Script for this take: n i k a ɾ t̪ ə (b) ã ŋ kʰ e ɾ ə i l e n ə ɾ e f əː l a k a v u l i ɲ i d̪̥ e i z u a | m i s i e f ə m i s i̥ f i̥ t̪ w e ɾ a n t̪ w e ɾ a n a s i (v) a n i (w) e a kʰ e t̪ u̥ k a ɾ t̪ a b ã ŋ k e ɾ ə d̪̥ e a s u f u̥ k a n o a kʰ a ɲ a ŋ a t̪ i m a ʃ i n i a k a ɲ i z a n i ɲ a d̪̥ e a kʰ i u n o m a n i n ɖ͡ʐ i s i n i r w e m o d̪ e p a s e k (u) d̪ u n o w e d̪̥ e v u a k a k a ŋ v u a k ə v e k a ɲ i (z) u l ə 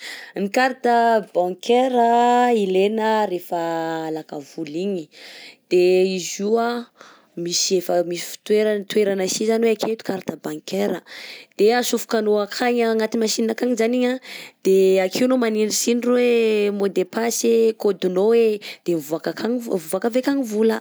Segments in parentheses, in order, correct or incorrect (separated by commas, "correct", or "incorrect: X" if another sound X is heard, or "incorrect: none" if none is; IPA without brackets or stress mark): correct, incorrect: z, correct, incorrect: o, incorrect: v